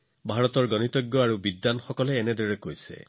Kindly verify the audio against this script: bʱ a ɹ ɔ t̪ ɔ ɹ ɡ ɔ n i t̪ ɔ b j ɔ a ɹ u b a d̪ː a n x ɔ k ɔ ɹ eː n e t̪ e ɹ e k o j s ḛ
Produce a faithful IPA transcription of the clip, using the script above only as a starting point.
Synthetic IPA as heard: bʱ a ɹ ɔ t̪ ɔ ɹ ɡ ɔ n i t̪ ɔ ɡ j ɔ a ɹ u b i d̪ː a n x ɔ k ɔ l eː n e d̪ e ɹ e k o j s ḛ

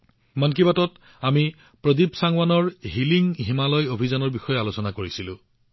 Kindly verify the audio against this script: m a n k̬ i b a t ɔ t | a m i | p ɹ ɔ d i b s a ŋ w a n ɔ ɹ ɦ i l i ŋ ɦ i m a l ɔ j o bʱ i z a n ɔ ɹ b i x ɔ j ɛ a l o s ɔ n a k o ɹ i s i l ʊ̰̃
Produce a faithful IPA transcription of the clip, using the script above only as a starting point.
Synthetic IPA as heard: m a n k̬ i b a t ɔ t | a m i | p ɹ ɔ d i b s a ŋ w a n ɔ ɹ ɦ i l i ŋ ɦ i m a l ɔ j o bʱ i z a n ɔ ɹ b i x ɔ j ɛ a l o s ɔ n a k o ɹ i s i l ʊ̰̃

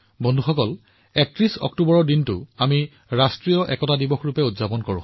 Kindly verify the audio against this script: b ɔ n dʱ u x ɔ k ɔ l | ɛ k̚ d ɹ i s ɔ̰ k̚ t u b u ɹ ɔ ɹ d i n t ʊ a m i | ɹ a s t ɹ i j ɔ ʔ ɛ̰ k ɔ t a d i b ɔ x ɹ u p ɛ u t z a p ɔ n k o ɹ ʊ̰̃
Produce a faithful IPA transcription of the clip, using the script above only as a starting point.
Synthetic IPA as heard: b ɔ n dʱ u x ɔ k ɔ l | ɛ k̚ t ɹ i s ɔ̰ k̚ t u b ɔ ɹ ɔ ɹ d i n t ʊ a m i | ɹ a s t ɹ i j ɔ ʔ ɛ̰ k ɔ t a d i b ɔ x ɹ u p ɛ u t z a p ɔ n k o ɹ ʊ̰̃

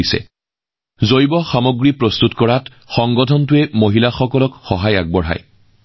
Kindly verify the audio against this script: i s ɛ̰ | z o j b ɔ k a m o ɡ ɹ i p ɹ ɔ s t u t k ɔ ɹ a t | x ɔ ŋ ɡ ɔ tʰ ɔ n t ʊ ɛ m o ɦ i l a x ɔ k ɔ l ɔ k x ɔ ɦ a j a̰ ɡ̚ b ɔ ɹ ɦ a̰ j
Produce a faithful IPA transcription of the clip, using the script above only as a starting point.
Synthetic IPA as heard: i s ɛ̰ | z o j b ɔ x a m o ɡ ɹ i p ɹ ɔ s t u t k ɔ ɹ a t | x ɔ ŋ ɡ ɔ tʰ ɔ n t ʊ ɛ m o ɦ i l a x ɔ k ɔ l ɔ k x ɔ ɦ a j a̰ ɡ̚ b ɔ ɹ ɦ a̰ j

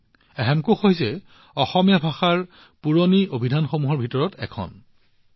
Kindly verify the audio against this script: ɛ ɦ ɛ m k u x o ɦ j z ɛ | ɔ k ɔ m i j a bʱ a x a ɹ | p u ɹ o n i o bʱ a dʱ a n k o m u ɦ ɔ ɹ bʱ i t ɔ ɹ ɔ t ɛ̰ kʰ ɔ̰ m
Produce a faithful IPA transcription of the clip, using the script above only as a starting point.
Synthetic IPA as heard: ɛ ɦ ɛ m k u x o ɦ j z ɛ | ɔ x ɔ m i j a bʱ a x a ɹ | p u ɹ o n i o bʱ i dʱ a n x o m u ɦ ɔ ɹ bʱ i t ɔ ɹ ɔ t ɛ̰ kʰ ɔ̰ n

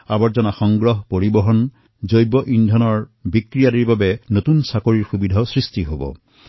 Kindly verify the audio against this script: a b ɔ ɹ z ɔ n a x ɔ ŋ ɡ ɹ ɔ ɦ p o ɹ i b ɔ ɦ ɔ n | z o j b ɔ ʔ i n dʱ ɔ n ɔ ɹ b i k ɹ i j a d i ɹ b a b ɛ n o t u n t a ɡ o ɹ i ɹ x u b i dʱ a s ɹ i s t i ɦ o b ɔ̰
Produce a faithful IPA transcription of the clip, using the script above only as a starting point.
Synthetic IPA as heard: a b ɔ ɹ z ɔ n a x ɔ ŋ ɡ ɹ ɔ ɦ p o ɹ i b ɔ ɦ ɔ n | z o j b ɔ ʔ i n dʱ ɔ n ɔ ɹ b i k ɹ i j a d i ɹ b a b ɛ n o t u n s a k o ɹ i ɹ x u b i dʱ a s ɹ i s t i ɦ o b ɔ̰

